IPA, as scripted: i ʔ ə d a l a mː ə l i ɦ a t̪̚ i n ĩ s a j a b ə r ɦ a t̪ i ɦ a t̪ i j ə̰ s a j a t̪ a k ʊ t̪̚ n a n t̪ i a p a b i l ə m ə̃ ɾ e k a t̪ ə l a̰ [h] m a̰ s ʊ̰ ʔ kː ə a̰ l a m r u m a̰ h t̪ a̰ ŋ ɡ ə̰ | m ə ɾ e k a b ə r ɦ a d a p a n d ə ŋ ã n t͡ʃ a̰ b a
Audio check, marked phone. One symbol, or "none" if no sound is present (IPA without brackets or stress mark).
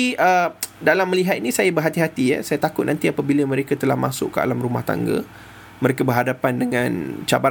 h